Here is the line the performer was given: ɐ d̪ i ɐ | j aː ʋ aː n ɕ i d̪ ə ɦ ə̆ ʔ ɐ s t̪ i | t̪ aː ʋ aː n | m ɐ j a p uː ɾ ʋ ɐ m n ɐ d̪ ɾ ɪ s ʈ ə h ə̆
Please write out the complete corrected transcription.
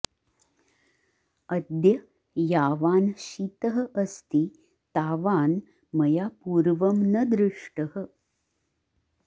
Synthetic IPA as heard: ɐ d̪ j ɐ | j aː ʋ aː n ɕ i t̪ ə ɦ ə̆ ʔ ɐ s t̪ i | t̪ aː ʋ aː n | m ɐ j a p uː ɾ ʋ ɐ m n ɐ d̪ ɾ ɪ ʂ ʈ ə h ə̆